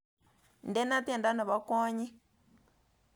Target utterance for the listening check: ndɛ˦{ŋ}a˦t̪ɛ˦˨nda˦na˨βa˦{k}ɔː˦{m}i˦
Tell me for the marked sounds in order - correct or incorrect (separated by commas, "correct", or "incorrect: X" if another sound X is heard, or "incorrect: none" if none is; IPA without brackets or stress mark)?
incorrect: n, correct, incorrect: ɲ